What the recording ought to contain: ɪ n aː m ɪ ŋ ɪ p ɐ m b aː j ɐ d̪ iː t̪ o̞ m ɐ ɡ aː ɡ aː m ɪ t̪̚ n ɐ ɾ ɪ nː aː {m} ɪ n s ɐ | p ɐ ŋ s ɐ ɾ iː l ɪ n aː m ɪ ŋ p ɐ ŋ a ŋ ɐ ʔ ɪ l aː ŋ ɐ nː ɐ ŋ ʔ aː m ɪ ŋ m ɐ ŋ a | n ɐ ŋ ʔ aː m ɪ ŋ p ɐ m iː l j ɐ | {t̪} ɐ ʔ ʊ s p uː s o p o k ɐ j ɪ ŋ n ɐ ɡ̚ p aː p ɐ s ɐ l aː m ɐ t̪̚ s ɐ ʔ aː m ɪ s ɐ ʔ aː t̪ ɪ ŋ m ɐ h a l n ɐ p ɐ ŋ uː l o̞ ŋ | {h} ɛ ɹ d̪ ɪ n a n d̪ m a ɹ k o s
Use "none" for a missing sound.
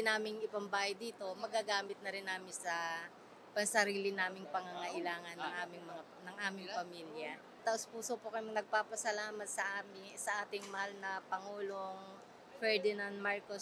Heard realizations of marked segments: m, t̪, f

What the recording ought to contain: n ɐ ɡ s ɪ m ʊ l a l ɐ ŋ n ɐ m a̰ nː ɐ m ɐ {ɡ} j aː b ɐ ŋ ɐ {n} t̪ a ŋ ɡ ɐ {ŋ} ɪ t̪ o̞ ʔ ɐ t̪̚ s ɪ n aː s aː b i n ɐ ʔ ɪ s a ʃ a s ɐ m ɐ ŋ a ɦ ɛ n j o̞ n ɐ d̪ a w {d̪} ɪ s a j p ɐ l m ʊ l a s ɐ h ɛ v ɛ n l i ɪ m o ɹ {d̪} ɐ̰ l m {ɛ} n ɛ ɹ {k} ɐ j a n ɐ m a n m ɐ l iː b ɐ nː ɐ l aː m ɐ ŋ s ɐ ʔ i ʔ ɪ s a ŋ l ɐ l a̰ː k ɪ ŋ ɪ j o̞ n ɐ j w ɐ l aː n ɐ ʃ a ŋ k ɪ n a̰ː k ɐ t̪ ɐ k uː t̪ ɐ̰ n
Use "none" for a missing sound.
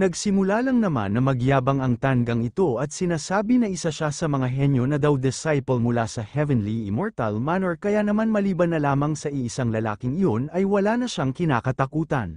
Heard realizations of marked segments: ɡ, ŋ, ŋ, d̪, t̪, a, k

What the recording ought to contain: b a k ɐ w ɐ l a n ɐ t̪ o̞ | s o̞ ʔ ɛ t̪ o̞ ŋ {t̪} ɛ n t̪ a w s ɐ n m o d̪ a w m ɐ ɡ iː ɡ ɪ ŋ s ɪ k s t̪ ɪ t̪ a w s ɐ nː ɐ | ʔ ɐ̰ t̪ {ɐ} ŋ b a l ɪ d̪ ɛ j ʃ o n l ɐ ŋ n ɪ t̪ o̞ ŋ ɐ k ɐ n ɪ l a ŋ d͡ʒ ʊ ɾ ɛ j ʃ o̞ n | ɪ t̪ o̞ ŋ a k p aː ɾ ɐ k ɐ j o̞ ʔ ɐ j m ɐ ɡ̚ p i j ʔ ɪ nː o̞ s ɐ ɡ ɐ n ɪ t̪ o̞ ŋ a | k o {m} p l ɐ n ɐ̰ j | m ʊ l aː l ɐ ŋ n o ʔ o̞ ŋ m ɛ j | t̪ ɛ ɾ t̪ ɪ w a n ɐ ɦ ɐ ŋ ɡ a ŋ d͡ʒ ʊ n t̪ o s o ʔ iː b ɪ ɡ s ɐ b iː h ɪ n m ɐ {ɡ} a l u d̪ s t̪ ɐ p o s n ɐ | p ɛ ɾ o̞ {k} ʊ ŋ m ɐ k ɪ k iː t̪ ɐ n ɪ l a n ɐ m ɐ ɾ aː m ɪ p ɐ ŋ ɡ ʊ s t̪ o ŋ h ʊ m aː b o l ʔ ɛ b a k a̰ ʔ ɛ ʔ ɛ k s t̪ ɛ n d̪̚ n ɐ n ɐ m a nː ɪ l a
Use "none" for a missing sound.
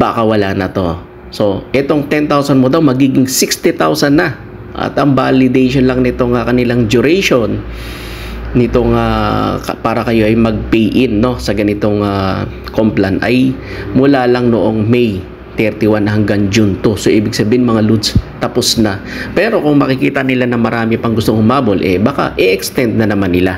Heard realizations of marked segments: t̪, ɐ, m, ŋ, k

